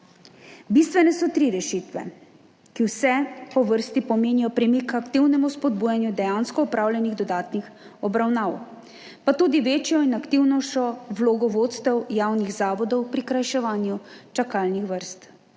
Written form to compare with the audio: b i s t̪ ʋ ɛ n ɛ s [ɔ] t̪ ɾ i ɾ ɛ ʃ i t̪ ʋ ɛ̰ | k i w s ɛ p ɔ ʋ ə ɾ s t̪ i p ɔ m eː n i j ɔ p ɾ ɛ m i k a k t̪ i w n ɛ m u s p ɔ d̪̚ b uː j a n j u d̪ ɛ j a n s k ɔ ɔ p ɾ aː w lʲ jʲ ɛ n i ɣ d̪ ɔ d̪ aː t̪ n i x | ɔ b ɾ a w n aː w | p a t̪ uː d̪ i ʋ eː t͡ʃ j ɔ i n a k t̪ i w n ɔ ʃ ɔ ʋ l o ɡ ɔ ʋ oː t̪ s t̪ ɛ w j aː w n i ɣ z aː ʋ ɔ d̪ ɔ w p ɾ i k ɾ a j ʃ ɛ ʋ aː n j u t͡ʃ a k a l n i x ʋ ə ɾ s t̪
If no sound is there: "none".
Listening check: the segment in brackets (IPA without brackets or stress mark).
ɔ